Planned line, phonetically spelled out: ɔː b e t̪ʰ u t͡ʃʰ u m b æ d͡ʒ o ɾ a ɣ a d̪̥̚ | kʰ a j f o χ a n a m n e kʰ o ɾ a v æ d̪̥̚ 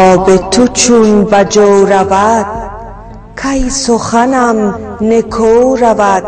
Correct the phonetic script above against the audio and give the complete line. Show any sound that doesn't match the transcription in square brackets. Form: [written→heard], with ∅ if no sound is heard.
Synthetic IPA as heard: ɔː b e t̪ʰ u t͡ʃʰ u [m→n] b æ d͡ʒ o ɾ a [ɣ→v] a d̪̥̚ | kʰ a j [f→s] o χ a n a m n e kʰ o ɾ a v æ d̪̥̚

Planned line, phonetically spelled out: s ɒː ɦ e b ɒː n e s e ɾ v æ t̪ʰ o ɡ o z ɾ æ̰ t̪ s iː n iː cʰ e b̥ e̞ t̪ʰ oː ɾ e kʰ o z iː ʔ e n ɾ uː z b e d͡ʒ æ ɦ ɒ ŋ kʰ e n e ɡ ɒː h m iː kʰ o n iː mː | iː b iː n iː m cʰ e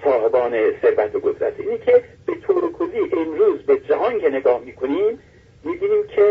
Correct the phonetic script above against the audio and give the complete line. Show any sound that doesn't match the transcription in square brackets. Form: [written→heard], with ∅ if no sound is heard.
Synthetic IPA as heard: s ɒː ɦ e b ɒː n e s e ɾ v æ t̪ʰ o ɡ o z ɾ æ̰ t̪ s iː n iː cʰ e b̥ e̞ t̪ʰ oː ɾ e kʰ o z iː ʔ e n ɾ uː z b e d͡ʒ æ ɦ ɒ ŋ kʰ e n e ɡ ɒː h m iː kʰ o n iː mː | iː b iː n iː m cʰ e

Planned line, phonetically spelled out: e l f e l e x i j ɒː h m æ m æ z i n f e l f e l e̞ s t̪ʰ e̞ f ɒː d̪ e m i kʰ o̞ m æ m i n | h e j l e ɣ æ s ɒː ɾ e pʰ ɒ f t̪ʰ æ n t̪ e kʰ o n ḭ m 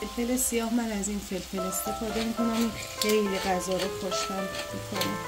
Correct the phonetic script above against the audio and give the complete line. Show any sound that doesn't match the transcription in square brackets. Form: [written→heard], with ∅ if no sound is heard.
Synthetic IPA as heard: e l f e l e [x→s] i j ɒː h m æ [m→n] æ z i n f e l f e l e̞ s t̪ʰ e̞ f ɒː d̪ e m i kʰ o̞ [m→n] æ m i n | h e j l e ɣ æ [s→z] ɒː ɾ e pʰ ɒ [f→ʃ] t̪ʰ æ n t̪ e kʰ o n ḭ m

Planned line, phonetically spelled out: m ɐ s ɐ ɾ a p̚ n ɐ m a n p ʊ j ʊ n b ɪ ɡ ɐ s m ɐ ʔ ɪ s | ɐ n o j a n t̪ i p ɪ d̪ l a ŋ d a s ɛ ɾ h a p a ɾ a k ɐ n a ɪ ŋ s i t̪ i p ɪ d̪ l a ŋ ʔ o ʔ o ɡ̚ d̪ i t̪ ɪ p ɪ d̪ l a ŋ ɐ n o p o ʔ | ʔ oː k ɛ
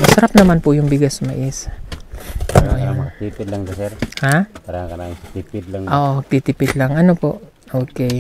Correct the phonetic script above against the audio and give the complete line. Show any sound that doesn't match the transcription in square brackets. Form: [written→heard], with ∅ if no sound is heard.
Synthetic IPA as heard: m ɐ s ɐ ɾ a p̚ n ɐ m a n p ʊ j ʊ [n→ŋ] b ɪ ɡ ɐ s m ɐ ʔ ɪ s | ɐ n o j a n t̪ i p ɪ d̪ l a ŋ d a s ɛ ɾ h a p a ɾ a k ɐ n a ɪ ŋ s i t̪ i p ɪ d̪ l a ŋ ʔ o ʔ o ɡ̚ [d̪→t̪] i t̪ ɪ p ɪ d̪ l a ŋ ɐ n o p o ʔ | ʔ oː k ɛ

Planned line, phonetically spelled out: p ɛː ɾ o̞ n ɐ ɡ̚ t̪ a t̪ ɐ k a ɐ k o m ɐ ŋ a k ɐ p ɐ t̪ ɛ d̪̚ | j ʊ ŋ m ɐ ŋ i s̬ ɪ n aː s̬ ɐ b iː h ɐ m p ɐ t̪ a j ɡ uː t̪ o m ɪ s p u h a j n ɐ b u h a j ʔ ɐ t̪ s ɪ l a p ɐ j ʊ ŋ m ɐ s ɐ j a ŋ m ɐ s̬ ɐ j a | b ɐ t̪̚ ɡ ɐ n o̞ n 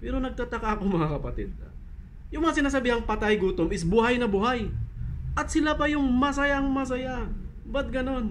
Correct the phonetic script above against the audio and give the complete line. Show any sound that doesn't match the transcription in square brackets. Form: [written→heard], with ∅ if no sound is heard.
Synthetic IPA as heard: p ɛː ɾ o̞ n ɐ ɡ̚ t̪ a t̪ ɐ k a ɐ k o m ɐ ŋ a k ɐ p ɐ t̪ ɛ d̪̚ | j ʊ ŋ m ɐ ŋ [i→a] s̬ ɪ n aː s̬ ɐ b iː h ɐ [m→ŋ] p ɐ t̪ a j ɡ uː t̪ o m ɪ s [p→b] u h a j n ɐ b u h a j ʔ ɐ t̪ s ɪ l a p ɐ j ʊ ŋ m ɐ s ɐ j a ŋ m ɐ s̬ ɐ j a | b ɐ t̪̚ ɡ ɐ n o̞ n

